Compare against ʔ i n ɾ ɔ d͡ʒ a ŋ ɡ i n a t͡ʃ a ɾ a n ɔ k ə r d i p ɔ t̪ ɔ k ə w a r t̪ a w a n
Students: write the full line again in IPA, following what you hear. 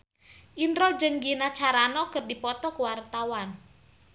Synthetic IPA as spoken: ʔ i n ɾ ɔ d͡ʒ ə ŋ ɡ i n a t͡ʃ a ɾ a n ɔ k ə r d i p ɔ t̪ ɔ k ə w a r t̪ a w a n